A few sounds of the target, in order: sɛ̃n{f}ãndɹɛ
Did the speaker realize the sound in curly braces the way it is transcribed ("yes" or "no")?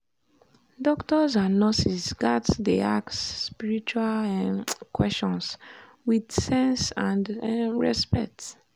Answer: no